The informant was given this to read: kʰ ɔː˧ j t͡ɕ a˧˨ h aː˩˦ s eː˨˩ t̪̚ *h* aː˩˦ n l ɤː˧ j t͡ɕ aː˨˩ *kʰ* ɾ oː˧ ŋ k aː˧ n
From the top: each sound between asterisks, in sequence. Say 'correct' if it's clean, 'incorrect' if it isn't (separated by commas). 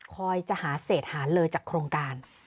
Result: correct, correct